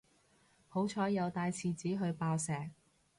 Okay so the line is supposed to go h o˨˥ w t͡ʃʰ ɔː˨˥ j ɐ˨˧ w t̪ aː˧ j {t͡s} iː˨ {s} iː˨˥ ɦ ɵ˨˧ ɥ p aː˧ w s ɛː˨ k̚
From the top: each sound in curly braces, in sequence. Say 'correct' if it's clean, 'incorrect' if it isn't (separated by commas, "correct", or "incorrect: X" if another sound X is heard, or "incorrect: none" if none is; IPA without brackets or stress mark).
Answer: incorrect: t͡sʰ, incorrect: t͡s